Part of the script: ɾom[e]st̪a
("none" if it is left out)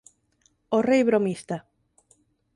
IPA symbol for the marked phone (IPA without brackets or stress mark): i